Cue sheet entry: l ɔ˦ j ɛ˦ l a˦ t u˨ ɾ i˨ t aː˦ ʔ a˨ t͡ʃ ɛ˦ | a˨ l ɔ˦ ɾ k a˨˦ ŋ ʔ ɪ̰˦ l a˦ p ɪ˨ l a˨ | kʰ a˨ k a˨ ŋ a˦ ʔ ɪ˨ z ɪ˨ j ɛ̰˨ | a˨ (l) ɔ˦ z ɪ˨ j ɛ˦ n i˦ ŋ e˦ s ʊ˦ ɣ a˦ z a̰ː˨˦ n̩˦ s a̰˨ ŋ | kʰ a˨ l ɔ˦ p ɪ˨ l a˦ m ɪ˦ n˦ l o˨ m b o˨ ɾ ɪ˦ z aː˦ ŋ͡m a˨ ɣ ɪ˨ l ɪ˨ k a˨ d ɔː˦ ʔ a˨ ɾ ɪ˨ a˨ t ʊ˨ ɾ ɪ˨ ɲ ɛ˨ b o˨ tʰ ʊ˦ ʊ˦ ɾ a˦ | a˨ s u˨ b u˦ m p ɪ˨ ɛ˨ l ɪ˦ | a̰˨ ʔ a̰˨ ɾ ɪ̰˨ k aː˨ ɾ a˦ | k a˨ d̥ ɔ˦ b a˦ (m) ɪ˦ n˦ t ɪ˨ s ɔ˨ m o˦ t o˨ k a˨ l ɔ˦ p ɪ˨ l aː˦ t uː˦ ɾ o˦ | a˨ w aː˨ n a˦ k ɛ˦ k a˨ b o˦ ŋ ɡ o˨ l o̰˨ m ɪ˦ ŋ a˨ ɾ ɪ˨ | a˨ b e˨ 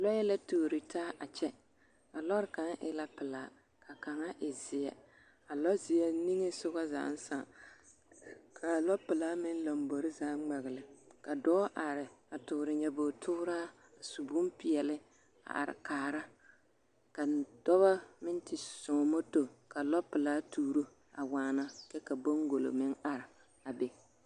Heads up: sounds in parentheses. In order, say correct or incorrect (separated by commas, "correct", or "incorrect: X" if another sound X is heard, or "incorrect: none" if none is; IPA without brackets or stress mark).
correct, correct